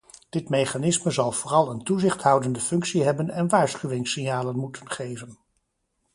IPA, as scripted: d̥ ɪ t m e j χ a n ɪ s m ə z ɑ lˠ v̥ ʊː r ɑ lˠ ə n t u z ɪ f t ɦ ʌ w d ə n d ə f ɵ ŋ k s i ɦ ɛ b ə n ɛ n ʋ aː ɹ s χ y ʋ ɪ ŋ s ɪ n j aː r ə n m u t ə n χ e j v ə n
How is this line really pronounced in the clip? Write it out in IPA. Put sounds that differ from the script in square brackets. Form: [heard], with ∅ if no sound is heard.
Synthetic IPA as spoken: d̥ ɪ t m e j χ a n ɪ s m ə z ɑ lˠ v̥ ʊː r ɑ lˠ ə n t u z ɪ [χ] t ɦ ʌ w d ə n d ə f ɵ ŋ k s i ɦ ɛ b ə n ɛ n ʋ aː ɹ s χ y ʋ ɪ ŋ s ɪ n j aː [l] ə n m u t ə n χ e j v ə n